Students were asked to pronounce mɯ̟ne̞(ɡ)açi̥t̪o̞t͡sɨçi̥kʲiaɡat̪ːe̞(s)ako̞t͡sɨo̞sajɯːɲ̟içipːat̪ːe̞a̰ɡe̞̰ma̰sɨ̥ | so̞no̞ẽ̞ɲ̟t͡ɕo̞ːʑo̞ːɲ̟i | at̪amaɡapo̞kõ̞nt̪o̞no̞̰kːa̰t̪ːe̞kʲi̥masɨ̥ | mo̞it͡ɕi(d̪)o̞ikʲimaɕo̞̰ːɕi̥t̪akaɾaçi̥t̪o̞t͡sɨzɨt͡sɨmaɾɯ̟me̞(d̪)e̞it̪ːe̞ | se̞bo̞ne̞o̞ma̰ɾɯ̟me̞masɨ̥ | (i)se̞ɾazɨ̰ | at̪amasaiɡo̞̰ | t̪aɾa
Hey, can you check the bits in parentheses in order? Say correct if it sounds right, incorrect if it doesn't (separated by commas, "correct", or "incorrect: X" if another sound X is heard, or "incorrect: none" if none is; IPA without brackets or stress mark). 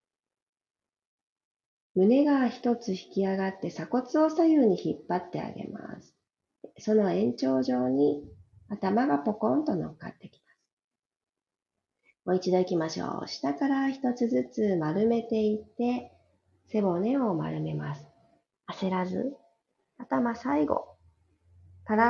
correct, correct, correct, incorrect: t̪, incorrect: a